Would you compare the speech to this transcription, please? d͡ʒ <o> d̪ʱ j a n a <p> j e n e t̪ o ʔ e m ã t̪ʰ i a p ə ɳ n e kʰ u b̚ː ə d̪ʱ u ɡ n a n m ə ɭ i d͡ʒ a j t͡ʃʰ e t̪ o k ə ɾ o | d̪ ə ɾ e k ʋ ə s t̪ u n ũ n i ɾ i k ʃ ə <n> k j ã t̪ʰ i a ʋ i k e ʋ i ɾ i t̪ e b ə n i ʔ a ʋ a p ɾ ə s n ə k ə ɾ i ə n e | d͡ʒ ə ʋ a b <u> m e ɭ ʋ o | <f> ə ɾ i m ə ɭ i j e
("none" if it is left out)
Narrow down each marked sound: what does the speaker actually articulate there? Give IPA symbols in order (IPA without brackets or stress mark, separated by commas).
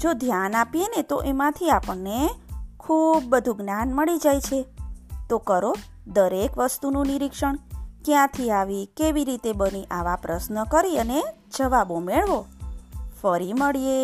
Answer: o, p, ɳ, o, f